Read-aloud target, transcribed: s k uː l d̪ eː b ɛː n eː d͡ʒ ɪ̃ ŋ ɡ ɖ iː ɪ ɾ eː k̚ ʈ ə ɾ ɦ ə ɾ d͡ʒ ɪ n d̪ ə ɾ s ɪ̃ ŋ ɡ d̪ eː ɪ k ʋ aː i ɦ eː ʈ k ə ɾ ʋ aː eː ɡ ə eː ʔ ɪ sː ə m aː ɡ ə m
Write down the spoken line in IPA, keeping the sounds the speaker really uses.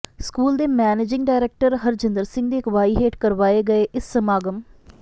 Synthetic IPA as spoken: s k uː l d̪ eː m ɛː n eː d͡ʒ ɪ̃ ŋ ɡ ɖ aː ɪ ɾ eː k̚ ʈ ə ɾ ɦ ə ɾ d͡ʒ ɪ n d̪ ə ɾ s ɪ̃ ŋ ɡ d̪ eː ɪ k ʋ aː i ɦ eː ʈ k ə ɾ ʋ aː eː ɡ ə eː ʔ ɪ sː ə m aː ɡ ə m